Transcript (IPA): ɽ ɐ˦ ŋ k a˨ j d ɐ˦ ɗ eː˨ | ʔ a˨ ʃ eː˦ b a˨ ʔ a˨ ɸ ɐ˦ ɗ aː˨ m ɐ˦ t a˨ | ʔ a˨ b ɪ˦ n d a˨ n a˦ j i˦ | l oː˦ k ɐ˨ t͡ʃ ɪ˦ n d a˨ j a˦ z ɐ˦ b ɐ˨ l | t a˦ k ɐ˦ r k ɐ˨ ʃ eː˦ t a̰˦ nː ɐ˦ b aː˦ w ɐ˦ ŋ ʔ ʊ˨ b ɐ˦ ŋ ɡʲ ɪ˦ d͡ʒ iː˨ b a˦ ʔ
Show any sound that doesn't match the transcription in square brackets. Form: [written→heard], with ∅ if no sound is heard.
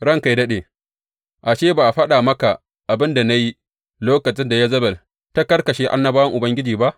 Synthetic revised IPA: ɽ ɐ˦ ŋ k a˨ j d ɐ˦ ɗ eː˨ | ʔ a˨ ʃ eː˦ b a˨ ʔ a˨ ɸ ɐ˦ ɗ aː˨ m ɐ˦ [t→k] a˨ | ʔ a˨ b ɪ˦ n d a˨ n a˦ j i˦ | l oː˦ k ɐ˨ t͡ʃ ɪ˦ n d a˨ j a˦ z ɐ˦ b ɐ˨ l | t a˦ k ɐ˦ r k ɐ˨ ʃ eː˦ [t→ʔ] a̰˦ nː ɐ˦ b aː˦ w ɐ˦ ŋ ʔ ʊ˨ b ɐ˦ ŋ ɡʲ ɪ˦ d͡ʒ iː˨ b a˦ ʔ